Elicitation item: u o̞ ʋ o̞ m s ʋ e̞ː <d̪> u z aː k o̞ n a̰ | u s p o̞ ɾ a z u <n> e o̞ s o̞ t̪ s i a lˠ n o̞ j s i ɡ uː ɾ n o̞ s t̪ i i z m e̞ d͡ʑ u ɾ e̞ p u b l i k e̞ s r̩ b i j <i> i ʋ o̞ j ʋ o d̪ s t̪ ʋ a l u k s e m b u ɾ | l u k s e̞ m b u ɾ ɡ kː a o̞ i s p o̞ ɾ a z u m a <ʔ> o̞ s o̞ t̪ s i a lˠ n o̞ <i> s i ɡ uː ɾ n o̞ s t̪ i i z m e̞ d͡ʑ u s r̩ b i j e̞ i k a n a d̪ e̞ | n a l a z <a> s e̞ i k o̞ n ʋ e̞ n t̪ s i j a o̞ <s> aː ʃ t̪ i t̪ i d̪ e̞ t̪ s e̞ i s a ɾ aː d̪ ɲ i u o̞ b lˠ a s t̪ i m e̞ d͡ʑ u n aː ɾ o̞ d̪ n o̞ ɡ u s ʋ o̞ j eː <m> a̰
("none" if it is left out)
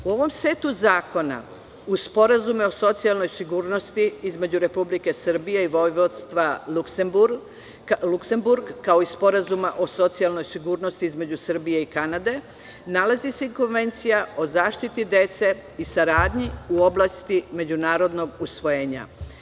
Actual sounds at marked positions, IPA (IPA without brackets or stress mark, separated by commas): t̪, m, e, ʔ, j, i, z, ɲ